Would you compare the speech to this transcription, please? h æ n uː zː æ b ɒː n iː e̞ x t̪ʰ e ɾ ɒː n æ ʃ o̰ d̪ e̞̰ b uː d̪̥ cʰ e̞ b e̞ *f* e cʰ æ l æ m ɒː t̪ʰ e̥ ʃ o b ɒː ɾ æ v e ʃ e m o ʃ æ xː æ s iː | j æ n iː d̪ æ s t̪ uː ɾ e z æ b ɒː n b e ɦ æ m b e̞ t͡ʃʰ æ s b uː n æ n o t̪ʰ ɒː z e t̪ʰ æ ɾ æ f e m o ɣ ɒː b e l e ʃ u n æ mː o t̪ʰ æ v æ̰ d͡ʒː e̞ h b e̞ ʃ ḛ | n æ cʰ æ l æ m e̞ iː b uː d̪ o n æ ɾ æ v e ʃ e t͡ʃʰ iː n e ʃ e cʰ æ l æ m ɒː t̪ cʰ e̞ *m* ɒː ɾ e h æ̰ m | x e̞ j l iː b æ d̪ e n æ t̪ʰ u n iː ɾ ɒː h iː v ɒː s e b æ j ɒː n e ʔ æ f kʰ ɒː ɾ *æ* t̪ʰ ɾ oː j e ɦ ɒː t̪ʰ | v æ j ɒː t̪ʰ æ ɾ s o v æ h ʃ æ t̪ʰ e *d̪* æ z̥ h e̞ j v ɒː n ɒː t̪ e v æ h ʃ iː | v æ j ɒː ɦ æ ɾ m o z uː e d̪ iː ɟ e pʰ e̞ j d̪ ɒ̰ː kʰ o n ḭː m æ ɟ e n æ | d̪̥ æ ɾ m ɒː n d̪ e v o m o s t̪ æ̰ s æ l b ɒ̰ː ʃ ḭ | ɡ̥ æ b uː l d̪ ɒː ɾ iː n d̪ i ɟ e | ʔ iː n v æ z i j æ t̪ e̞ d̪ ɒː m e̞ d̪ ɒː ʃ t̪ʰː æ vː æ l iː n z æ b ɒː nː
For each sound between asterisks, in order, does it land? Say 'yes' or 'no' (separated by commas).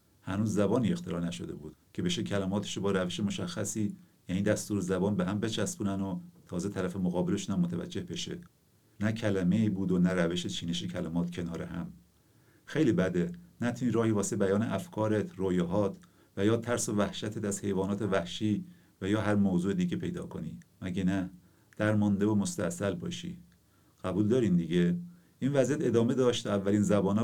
no, no, no, no